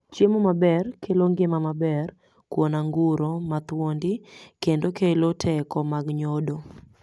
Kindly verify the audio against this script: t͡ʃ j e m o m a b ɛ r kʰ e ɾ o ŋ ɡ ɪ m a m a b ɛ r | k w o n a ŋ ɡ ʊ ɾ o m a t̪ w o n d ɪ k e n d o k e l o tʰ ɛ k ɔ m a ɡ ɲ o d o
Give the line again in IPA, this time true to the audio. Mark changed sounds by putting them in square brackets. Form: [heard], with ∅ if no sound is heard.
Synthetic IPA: t͡ʃ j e m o m a b ɛ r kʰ e [l] o ŋ ɡ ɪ m a m a b ɛ r | k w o n a ŋ ɡ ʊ ɾ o m a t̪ w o n d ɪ k e n d o k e l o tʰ ɛ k ɔ m a ɡ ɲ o d o